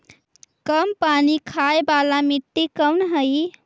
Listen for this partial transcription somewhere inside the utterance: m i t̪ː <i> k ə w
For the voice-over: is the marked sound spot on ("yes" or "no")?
yes